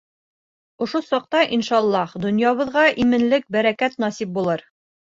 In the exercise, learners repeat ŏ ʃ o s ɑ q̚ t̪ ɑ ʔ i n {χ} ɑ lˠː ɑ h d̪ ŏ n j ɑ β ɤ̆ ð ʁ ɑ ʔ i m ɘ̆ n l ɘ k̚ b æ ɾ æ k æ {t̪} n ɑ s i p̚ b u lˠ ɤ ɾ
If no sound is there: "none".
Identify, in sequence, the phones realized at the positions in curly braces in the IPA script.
ʃ, t̪

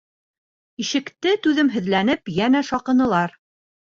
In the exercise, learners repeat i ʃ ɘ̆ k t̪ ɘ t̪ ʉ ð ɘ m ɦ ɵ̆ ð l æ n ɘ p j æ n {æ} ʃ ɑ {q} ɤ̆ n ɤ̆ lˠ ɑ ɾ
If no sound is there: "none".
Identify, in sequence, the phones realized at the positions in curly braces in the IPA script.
æ, q

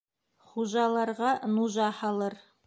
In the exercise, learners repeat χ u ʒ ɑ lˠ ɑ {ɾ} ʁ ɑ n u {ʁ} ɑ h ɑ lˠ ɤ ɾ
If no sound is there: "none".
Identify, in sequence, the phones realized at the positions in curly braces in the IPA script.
ɾ, ʒ

